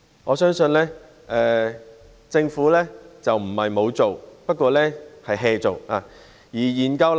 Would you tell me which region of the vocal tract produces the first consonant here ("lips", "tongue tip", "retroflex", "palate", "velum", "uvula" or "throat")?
velum